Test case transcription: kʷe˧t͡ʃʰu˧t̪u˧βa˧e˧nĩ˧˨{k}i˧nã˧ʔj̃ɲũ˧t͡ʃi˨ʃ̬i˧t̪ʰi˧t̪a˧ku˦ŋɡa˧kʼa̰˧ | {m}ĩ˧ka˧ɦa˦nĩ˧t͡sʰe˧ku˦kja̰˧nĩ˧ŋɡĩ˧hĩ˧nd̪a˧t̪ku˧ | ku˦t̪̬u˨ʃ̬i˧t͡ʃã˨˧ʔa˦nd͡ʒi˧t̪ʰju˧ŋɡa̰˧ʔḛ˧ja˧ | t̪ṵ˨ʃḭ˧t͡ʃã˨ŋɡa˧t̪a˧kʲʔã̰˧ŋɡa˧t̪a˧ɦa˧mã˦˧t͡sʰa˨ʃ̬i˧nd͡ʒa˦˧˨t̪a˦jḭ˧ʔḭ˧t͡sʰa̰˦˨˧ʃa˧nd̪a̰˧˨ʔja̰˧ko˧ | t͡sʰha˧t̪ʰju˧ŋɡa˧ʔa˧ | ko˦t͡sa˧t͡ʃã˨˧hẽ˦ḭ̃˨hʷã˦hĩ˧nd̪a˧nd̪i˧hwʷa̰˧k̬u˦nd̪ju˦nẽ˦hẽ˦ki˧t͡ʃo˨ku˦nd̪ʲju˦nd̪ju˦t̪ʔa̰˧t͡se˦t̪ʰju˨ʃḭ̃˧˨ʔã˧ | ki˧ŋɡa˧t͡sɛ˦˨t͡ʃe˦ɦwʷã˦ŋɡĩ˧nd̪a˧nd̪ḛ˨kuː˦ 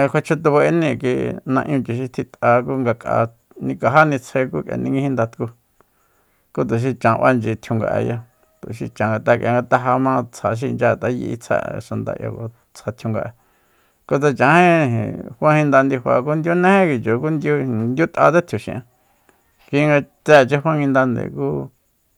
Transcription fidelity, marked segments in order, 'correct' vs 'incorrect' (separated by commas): correct, incorrect